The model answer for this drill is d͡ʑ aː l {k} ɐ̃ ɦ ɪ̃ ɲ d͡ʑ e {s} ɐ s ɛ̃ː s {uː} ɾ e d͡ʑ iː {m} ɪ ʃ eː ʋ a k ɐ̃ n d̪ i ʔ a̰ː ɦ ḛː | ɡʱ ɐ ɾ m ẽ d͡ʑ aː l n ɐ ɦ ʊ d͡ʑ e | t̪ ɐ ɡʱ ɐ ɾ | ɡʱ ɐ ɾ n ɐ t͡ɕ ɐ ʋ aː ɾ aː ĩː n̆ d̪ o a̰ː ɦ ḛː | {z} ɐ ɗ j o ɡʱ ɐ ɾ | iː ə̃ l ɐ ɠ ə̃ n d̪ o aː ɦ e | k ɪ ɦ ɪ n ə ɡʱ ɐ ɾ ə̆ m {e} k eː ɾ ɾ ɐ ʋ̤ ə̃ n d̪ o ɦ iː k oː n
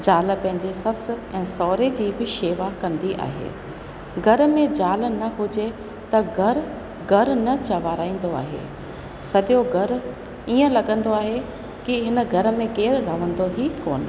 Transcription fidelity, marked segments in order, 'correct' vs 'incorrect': incorrect, correct, incorrect, incorrect, incorrect, incorrect

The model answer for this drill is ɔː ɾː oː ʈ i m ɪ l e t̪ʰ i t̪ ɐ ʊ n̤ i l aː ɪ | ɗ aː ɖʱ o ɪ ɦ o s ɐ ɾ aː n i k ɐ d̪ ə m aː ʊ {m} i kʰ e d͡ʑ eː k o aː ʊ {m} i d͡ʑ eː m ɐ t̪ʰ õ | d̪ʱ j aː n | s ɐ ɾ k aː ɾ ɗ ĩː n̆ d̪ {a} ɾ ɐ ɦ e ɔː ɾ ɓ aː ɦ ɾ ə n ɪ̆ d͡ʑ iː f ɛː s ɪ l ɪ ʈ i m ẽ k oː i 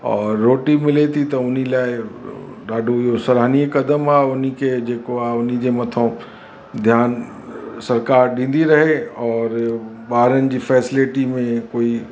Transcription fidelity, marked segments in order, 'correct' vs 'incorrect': incorrect, incorrect, incorrect

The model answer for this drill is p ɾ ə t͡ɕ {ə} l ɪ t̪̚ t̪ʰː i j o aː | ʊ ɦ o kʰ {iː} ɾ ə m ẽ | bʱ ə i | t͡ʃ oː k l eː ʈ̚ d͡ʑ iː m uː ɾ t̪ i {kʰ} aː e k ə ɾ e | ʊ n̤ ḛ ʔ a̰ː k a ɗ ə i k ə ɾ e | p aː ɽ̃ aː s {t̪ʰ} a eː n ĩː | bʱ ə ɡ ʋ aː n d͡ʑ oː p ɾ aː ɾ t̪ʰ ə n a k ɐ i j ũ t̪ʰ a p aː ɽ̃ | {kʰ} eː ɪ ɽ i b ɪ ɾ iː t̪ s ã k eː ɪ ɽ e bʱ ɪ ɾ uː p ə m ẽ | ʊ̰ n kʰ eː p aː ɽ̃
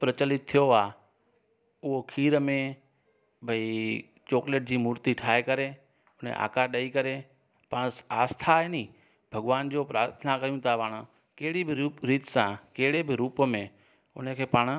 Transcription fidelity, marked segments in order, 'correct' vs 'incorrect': correct, correct, incorrect, correct, incorrect

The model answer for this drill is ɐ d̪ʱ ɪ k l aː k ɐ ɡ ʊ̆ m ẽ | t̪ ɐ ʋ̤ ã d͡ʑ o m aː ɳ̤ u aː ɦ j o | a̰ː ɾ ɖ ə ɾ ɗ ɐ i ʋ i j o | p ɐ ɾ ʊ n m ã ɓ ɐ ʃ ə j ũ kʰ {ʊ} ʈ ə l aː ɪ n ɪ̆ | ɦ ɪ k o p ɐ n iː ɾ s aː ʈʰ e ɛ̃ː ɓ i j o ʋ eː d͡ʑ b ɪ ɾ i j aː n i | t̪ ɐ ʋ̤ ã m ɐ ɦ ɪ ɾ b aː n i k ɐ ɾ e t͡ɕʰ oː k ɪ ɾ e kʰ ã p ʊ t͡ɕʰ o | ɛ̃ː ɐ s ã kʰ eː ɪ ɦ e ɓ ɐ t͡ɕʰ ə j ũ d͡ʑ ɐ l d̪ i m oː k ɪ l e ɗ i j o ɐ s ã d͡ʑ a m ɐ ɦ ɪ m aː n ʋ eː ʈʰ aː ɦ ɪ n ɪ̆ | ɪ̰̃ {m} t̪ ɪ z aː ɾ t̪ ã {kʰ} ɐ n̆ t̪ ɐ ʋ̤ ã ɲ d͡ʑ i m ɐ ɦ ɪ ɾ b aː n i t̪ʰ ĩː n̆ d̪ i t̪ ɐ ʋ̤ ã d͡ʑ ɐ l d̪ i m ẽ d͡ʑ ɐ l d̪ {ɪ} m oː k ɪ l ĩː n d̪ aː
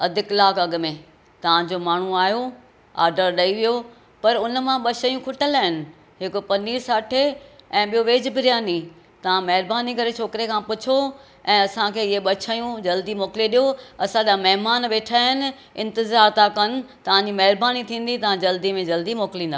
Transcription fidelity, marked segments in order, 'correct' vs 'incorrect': correct, incorrect, incorrect, incorrect

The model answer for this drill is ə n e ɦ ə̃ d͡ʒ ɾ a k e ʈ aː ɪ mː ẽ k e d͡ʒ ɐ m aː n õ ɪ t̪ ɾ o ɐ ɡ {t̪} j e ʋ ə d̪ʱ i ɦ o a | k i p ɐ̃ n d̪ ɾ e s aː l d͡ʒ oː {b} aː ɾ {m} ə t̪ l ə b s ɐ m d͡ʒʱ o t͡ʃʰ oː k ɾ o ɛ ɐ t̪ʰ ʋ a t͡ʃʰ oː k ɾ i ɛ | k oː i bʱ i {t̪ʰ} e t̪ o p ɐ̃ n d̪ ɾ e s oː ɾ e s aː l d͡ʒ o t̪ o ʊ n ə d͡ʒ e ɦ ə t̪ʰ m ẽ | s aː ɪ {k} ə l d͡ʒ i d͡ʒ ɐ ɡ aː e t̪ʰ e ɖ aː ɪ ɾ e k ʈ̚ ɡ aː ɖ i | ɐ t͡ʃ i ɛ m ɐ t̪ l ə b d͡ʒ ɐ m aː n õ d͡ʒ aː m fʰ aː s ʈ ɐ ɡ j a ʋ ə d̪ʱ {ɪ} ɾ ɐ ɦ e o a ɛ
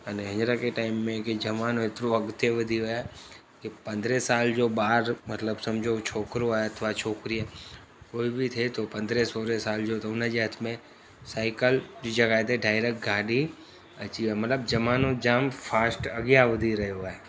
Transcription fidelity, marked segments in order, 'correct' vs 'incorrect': correct, correct, correct, correct, correct, incorrect

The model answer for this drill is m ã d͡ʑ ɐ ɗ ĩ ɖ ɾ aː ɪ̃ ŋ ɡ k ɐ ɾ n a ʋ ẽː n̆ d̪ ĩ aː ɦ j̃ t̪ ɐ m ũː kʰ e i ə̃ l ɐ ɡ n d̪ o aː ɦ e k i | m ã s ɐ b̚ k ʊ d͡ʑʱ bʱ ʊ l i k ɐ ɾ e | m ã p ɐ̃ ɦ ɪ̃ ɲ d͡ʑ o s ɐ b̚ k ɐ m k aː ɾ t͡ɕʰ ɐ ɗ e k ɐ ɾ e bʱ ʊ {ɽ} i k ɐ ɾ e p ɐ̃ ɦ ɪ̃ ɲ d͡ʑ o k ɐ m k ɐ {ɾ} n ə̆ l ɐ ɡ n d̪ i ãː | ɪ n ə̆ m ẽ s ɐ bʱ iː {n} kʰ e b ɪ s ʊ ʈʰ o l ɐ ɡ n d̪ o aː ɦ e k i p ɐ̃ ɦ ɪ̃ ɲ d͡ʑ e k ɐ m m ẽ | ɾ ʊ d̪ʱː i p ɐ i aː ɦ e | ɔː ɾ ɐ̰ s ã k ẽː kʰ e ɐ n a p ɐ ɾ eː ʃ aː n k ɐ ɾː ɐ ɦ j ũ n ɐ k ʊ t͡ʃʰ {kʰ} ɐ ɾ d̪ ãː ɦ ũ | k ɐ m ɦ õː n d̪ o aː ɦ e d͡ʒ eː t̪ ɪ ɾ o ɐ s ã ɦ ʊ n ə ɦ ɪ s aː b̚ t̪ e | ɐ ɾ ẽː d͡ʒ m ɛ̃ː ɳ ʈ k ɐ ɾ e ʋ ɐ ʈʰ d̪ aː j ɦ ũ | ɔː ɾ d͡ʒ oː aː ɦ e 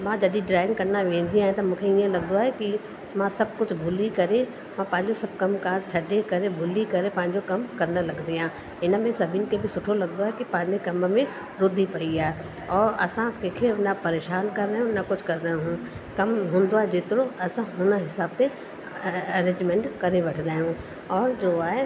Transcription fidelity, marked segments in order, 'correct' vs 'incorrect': incorrect, correct, correct, incorrect

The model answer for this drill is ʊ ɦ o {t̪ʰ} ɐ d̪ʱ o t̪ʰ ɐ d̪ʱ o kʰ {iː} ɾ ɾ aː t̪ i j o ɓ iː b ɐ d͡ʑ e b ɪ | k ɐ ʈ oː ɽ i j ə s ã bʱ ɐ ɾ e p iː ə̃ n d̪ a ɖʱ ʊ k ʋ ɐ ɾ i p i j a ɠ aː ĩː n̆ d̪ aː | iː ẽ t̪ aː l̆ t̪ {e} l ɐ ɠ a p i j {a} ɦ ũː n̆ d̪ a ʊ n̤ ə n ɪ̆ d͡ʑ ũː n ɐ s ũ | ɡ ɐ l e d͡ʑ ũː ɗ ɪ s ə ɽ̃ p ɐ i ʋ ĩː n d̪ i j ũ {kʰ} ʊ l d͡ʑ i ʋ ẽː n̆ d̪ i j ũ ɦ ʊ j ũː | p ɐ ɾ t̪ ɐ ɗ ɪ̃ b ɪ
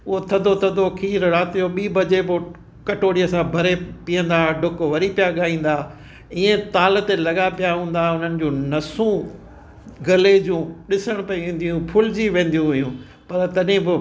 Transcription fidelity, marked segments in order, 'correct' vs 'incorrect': correct, correct, correct, correct, incorrect

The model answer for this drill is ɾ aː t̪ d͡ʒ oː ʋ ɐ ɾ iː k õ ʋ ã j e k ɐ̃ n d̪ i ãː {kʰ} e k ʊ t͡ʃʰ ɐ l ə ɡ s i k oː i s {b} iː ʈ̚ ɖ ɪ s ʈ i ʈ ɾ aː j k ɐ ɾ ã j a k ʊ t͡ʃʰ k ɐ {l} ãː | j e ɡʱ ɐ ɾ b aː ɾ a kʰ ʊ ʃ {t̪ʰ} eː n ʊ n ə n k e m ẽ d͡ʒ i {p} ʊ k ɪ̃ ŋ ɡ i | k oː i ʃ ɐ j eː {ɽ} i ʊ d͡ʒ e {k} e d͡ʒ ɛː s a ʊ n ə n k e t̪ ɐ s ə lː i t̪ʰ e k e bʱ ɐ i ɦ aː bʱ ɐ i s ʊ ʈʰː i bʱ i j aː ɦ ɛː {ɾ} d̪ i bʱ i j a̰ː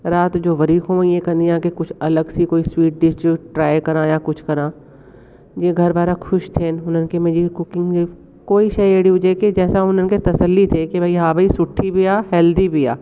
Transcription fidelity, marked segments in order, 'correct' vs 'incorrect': incorrect, incorrect, incorrect, correct, incorrect, correct, correct, incorrect

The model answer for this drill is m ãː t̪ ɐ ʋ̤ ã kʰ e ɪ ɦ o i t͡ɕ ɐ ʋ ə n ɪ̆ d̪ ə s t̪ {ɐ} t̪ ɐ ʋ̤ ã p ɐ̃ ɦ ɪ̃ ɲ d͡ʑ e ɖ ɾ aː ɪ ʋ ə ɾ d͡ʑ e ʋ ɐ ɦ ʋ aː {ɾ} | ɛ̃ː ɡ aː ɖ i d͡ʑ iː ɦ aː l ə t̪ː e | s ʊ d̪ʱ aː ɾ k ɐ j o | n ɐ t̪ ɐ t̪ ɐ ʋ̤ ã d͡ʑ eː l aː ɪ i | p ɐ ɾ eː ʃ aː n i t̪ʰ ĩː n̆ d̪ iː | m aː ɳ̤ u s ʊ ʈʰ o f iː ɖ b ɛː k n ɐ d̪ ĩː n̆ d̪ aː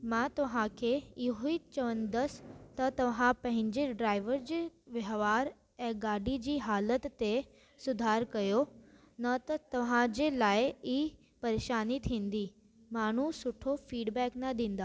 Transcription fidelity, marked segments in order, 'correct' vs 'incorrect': correct, correct

